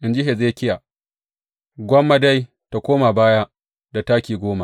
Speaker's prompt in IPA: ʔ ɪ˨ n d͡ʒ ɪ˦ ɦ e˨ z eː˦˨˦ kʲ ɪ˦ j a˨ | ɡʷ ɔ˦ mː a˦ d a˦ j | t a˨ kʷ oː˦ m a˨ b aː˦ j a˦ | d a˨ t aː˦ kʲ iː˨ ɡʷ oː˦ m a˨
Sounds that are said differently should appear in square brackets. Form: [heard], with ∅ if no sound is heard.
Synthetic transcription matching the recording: ʔ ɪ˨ n d͡ʒ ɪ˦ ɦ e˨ z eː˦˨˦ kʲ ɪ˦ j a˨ | ɡʷ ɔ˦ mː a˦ d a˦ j | t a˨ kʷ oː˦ m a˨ b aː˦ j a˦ | d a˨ t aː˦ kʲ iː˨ ɡʷ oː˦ m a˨